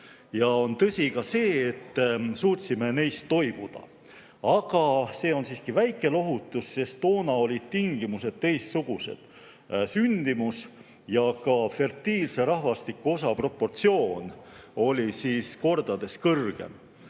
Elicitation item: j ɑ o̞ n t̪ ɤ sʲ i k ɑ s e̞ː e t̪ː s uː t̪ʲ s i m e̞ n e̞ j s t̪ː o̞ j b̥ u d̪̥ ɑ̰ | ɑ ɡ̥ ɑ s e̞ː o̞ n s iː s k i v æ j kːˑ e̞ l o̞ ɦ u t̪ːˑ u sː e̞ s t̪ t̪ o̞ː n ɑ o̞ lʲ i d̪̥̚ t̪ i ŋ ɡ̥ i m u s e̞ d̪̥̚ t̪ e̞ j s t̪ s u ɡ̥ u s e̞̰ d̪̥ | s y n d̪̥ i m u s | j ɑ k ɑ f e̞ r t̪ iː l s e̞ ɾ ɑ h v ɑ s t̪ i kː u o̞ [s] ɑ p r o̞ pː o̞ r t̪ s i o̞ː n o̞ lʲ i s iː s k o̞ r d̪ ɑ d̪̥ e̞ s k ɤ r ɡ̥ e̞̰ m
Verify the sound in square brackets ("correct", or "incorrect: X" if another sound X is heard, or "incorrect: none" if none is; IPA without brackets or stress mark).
correct